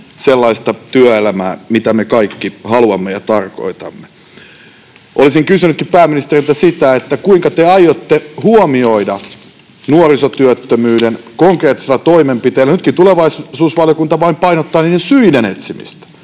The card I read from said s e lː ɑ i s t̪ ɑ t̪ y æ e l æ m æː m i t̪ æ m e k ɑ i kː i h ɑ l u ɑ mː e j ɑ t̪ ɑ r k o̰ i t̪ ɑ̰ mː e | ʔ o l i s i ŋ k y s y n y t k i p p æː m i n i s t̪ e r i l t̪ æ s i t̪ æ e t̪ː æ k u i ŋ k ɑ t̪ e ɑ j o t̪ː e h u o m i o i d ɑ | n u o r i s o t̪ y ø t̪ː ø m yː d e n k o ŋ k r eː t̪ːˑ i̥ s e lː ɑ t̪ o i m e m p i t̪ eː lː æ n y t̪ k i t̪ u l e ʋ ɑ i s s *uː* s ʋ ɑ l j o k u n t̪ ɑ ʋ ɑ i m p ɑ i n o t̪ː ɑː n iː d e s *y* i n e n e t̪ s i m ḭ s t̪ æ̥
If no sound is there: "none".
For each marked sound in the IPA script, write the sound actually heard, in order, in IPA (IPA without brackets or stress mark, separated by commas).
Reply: uː, y